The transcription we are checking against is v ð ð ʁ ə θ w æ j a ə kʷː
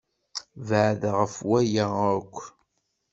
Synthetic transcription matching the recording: v ʕ ð ʁ ə f w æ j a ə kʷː